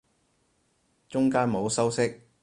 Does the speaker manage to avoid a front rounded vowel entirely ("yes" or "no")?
yes